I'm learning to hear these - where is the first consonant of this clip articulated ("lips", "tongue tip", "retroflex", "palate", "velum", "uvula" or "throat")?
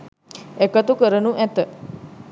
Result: velum